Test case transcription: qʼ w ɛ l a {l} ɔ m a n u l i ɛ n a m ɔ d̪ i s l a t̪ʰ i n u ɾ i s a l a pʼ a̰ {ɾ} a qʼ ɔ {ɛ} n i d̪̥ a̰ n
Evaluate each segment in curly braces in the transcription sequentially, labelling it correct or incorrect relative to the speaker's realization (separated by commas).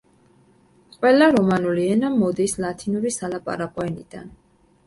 incorrect, correct, correct